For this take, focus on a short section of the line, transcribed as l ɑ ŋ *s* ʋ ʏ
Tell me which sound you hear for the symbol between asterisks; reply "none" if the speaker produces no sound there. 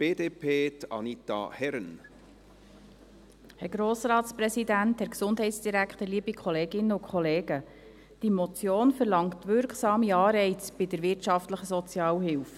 t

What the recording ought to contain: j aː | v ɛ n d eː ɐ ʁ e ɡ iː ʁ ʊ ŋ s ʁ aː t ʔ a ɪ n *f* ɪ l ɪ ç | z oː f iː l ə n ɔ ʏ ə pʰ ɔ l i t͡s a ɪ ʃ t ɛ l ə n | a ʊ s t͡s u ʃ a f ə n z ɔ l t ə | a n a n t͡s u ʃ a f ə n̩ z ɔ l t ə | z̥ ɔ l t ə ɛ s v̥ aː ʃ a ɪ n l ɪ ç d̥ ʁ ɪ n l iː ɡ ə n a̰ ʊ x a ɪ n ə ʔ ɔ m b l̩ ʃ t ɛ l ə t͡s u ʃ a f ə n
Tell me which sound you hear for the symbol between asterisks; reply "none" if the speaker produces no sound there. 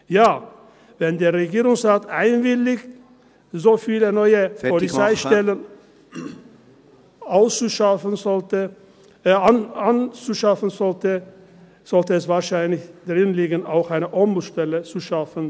v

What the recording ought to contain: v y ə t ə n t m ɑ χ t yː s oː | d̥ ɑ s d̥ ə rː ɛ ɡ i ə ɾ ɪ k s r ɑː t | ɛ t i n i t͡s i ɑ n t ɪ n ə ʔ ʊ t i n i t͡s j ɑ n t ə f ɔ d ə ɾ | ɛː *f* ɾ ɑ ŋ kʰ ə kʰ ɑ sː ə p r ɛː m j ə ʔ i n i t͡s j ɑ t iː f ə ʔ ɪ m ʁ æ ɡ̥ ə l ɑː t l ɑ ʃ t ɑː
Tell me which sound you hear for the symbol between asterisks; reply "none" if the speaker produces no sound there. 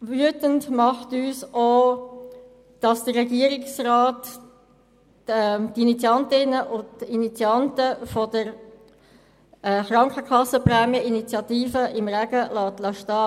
χ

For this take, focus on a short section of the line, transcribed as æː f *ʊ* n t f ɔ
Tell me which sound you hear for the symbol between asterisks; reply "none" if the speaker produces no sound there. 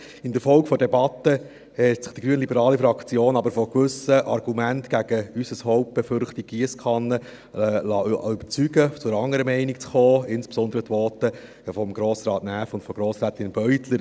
ʊ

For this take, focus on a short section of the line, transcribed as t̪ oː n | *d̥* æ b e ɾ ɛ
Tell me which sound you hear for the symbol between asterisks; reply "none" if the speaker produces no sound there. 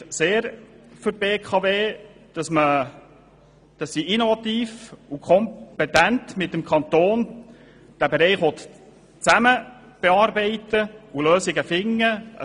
d̥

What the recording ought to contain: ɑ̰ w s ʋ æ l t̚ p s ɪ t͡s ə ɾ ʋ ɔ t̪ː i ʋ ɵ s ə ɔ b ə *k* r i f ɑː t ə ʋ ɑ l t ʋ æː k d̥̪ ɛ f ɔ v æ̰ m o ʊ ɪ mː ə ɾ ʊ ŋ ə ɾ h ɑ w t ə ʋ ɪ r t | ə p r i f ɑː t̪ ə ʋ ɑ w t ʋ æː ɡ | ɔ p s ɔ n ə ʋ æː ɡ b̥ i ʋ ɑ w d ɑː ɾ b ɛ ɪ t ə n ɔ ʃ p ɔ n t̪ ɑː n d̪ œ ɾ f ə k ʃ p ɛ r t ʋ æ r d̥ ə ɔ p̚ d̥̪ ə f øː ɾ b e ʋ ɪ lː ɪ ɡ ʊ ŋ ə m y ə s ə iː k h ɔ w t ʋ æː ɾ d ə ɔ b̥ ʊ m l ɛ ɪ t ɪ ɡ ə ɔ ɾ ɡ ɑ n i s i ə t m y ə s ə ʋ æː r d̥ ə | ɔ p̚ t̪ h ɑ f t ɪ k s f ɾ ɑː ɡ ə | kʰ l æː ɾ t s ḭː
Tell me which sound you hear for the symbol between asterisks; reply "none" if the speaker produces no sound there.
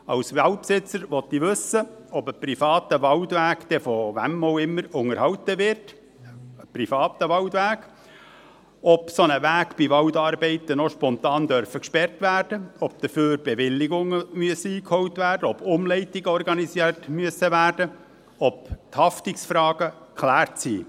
p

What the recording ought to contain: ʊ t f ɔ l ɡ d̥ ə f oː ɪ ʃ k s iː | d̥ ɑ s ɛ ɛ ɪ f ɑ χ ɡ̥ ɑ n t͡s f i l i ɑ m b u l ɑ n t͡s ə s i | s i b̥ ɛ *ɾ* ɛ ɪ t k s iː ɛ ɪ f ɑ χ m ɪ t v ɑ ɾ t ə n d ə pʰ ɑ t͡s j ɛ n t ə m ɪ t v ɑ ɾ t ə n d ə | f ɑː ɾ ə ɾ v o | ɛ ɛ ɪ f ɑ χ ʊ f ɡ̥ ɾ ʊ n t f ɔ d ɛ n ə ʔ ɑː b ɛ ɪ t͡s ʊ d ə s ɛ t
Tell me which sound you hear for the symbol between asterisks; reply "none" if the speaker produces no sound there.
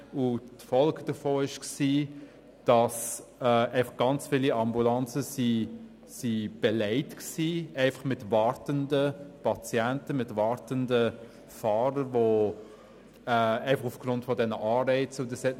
l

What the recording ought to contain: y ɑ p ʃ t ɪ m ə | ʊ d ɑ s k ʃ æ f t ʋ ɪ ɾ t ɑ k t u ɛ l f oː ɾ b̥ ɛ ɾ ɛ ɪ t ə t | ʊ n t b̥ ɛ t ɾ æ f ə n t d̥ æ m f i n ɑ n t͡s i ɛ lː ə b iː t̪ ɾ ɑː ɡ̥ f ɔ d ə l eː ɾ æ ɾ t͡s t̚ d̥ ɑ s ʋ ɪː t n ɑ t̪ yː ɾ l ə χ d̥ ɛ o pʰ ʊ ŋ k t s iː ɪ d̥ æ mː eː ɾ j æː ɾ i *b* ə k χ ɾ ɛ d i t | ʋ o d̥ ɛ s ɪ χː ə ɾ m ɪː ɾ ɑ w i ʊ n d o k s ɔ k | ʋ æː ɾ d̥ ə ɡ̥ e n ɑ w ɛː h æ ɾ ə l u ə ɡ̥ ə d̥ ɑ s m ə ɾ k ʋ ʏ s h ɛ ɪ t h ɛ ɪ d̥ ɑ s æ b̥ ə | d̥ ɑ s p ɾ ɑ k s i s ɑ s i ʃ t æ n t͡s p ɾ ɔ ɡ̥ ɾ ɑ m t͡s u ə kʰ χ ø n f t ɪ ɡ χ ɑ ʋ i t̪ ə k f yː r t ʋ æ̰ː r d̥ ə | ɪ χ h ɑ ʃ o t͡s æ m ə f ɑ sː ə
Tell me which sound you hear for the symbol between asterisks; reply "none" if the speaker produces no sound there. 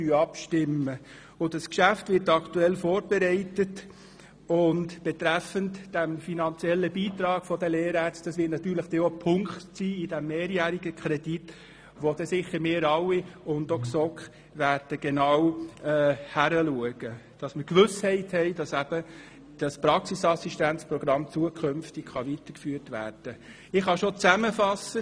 ɡ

